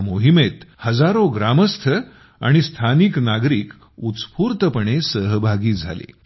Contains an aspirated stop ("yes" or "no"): yes